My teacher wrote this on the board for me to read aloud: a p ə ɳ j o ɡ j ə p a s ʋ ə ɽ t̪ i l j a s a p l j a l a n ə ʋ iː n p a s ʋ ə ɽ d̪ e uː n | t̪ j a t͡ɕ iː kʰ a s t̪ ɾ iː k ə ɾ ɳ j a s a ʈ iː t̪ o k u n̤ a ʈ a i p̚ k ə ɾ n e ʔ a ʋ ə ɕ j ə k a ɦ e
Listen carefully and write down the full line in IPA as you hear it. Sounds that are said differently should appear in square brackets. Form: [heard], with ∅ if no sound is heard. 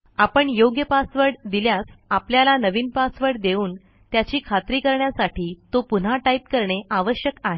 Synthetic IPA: a p ə ɳ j o ɡ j ə p a s ʋ ə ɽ [d̪] i l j a s a p l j a l a n ə ʋ iː n p a s ʋ ə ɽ d̪ e uː n | t̪ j a t͡ɕ iː kʰ a [∅] t̪ ɾ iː k ə ɾ ɳ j a s a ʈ iː t̪ o [p] u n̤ a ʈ a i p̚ k ə ɾ [ɳ] e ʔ a ʋ ə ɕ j ə k a ɦ e